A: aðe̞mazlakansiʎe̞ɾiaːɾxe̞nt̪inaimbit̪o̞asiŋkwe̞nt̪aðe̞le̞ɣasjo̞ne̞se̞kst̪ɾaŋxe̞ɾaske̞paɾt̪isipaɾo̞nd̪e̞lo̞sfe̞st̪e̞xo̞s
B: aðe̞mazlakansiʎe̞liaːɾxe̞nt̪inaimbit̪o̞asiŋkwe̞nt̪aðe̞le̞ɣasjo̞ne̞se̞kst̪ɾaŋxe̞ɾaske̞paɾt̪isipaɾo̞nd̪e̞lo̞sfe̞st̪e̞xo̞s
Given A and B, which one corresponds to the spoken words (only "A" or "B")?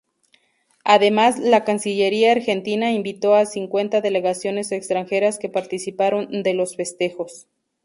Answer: A